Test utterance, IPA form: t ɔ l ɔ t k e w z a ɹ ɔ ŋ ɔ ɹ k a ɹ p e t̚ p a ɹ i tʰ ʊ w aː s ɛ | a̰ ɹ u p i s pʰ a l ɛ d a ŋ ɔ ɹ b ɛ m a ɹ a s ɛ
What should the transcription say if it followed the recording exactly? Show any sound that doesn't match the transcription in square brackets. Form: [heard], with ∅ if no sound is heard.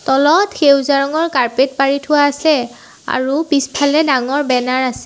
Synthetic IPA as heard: t ɔ l ɔ t [x] e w z a ɹ ɔ ŋ ɔ ɹ k a ɹ p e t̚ p a ɹ i tʰ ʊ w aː s ɛ | a̰ ɹ u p i s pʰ a l ɛ d a ŋ ɔ ɹ b ɛ [n] a ɹ a s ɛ